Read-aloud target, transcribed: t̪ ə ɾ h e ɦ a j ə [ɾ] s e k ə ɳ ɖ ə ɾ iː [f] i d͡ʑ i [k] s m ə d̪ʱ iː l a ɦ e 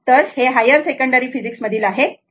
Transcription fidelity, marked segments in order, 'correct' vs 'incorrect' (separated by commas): correct, correct, correct